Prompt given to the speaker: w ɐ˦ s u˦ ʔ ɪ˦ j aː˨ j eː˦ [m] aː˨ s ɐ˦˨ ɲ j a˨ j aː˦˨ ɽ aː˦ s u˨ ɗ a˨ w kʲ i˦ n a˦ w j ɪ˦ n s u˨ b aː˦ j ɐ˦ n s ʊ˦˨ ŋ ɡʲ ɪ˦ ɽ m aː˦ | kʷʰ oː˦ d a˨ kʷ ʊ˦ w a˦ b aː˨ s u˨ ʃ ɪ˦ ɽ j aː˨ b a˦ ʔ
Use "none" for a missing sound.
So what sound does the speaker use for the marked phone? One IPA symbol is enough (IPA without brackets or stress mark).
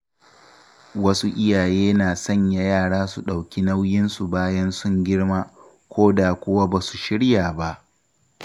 n